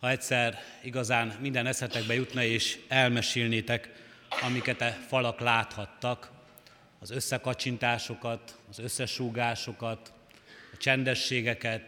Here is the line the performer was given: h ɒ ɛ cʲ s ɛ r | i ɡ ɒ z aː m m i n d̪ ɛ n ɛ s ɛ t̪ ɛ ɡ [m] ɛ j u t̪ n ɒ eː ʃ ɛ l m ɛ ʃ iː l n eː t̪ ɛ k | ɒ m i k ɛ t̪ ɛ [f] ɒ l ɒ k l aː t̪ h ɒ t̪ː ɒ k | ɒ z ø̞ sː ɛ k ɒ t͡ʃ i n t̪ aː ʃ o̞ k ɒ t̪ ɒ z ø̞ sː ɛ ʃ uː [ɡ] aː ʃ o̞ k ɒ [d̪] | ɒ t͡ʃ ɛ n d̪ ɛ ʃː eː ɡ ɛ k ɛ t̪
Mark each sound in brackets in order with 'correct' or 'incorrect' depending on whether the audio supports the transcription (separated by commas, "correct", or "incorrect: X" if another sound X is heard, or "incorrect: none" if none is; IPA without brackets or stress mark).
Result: incorrect: b, correct, correct, incorrect: t̪